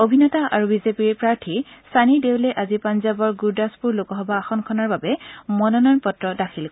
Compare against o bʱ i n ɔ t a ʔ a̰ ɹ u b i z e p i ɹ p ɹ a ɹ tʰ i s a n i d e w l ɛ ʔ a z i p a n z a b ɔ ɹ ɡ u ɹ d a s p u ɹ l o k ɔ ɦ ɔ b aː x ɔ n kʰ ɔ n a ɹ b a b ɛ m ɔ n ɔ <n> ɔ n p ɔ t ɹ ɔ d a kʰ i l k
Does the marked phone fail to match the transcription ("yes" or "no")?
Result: no